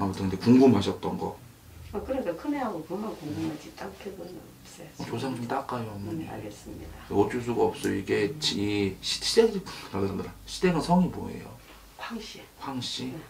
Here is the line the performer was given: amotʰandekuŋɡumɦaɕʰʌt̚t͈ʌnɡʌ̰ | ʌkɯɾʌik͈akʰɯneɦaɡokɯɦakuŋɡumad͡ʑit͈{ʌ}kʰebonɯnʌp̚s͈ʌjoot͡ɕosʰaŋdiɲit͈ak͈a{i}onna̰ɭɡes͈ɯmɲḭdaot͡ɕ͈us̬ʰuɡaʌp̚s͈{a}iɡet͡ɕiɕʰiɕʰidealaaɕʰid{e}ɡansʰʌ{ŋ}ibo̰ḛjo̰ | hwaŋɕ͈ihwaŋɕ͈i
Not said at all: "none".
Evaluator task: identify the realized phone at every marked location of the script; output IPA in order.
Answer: a, j, ʌ, e, ŋ

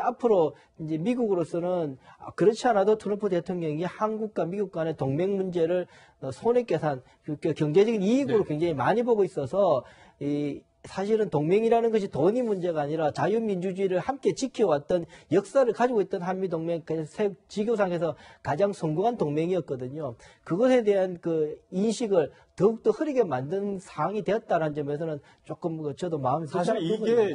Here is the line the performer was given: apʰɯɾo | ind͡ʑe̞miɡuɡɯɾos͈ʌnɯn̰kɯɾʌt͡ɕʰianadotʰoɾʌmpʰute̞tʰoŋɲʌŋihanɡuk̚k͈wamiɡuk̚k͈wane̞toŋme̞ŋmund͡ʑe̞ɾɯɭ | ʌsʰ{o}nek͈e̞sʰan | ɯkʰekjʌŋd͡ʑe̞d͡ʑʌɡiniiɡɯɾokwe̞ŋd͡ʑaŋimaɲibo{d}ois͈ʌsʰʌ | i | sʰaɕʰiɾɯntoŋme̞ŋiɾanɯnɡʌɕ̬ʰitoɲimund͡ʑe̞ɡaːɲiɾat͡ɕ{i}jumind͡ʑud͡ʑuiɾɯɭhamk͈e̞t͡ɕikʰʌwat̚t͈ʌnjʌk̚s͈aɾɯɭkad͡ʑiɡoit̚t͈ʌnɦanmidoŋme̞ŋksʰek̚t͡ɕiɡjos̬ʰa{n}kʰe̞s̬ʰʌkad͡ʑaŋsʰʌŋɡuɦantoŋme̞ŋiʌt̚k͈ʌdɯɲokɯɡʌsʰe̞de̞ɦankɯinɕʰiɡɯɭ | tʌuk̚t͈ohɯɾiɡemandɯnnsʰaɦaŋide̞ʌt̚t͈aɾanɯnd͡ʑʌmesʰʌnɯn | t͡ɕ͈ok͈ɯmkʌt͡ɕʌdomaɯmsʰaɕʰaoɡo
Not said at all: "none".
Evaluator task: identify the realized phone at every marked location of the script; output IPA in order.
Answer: o, ɡ, a, ŋ

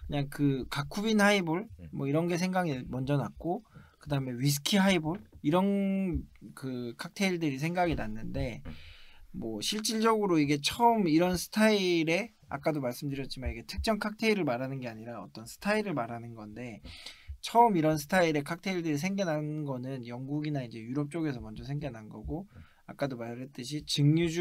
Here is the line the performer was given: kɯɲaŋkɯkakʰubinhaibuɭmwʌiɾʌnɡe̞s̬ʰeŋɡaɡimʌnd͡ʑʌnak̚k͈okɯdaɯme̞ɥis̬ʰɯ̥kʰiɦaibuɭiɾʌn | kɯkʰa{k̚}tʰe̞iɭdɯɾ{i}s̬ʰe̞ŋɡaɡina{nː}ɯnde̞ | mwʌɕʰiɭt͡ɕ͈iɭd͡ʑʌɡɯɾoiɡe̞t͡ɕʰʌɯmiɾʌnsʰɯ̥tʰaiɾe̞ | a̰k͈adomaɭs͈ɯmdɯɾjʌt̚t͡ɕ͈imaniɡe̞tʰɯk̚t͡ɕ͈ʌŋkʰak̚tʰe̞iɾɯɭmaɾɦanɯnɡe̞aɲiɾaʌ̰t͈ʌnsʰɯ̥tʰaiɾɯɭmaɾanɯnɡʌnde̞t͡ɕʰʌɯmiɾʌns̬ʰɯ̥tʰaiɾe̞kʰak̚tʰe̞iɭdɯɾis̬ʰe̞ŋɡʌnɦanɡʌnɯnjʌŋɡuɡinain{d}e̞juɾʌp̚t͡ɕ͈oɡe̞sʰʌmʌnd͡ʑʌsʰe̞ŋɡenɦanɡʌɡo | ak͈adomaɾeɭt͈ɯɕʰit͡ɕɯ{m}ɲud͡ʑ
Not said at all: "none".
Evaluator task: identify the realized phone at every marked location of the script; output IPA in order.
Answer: k̚, i, nː, d͡ʑ, ŋ

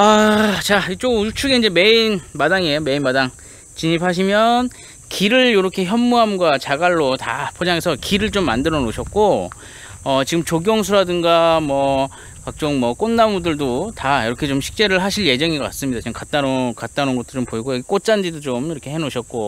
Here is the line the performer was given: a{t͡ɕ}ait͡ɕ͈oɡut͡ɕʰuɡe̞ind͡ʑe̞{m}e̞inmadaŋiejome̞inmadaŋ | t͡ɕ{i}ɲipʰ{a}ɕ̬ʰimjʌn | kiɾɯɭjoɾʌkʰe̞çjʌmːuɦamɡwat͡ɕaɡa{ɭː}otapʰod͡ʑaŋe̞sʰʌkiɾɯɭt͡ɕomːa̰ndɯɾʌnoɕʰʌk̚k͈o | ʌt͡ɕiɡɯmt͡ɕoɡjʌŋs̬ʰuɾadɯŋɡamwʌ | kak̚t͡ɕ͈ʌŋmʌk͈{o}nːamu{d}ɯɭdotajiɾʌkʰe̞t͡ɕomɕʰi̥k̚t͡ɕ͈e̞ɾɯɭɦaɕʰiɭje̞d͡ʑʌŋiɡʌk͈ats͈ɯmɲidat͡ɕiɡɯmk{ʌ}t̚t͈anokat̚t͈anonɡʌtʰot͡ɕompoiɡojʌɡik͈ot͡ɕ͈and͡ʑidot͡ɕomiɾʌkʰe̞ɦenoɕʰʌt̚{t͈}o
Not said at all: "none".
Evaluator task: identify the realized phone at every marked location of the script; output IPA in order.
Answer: t͡ɕ, m, i, a, ɭː, o, d, a, k͈

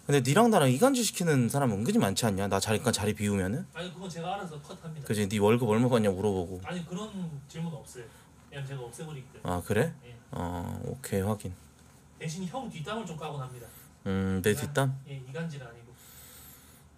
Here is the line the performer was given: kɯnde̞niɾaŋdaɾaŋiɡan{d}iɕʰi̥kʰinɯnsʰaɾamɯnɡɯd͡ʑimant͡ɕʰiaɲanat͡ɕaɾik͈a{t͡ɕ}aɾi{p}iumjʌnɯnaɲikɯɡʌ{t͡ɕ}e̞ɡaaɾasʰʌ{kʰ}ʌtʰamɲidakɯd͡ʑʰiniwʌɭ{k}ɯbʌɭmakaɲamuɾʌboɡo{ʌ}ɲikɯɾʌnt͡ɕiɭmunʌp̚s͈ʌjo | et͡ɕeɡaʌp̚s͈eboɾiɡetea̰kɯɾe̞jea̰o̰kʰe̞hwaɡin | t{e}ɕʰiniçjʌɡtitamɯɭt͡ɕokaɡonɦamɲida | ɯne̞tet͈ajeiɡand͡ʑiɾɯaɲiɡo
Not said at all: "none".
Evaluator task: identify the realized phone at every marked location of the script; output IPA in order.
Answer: d͡ʑ, t͡ɕ, p, t͡ɕ, kʰ, ɡ, a, e

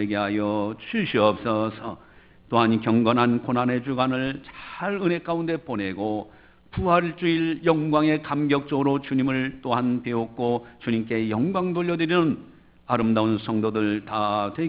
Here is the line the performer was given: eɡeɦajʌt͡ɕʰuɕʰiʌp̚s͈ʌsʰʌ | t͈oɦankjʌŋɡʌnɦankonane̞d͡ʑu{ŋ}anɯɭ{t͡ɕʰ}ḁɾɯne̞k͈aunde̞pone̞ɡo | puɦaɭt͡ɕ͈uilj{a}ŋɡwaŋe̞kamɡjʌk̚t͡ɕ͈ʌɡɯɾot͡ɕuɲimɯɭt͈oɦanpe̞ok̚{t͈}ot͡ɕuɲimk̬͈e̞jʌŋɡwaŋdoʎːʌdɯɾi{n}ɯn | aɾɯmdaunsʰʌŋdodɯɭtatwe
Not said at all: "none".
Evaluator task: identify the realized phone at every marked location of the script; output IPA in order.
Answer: ɡ, t͡ɕ, ʌ, k͈, n

